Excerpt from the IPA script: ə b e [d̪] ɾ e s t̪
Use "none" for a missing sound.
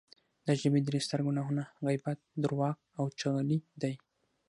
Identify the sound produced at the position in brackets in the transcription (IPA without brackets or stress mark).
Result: d̪